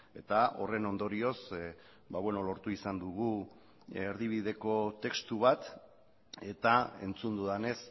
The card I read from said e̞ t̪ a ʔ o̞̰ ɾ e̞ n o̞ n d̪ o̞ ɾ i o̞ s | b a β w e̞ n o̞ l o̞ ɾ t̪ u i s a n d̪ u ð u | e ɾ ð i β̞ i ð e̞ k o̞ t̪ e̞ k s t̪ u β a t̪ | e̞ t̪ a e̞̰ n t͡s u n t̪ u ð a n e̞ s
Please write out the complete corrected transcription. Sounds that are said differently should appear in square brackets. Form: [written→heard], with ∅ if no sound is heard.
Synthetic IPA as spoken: e̞ t̪ a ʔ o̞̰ [ɾ→r] e̞ n o̞ n d̪ o̞ ɾ i o̞ s | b a β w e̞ n o̞ l o̞ ɾ t̪ u i s a n d̪ u [ð→ɣ] u | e ɾ ð i β̞ i ð e̞ k o̞ t̪ e̞ k s t̪ u β a t̪ | e̞ t̪ a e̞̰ n t͡s u n [t̪→d̪] u ð a n e̞ s